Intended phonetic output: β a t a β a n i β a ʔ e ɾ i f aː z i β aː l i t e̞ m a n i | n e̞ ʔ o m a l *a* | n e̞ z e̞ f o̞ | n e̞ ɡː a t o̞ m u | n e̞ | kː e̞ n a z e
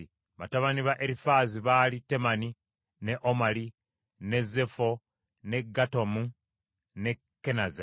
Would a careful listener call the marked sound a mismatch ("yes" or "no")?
yes